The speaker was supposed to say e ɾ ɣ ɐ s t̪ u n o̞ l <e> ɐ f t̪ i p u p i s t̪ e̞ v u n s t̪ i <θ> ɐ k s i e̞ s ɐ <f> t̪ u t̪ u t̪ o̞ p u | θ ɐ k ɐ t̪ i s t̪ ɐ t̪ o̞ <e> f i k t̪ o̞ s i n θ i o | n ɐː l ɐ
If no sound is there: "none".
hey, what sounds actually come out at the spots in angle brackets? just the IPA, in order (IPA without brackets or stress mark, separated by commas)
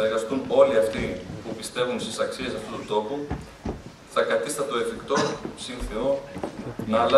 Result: i, s, f, e